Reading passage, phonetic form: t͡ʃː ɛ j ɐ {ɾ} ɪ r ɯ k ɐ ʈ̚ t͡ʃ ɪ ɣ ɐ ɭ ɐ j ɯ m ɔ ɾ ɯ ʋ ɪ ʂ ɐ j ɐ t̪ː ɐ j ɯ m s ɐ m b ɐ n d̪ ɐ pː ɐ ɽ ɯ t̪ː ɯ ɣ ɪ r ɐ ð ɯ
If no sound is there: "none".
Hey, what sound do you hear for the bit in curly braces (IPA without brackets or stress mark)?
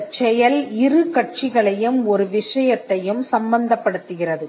l